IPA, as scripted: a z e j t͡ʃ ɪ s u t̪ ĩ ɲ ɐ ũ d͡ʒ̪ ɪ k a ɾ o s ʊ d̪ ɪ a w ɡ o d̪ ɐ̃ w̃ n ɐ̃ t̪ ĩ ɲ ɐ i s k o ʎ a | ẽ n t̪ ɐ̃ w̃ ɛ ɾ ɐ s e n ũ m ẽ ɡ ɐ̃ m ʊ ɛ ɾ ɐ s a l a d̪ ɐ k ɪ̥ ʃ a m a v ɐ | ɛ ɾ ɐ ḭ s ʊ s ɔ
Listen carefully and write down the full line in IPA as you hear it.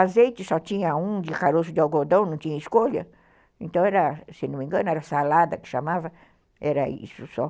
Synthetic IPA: a z e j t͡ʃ ɪ s ɔ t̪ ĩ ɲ ɐ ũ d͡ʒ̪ ɪ k a ɾ o s ʊ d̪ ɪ a w ɡ o d̪ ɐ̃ w̃ n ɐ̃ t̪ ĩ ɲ ɐ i s k o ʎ ɐ | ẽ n t̪ ɐ̃ w̃ ɛ ɾ ɐ s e n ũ m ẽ ɡ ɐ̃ n ʊ ɛ ɾ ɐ s a l a d̪ ɐ k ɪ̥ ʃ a m a v ɐ | ɛ ɾ ɐ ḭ s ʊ s ɔ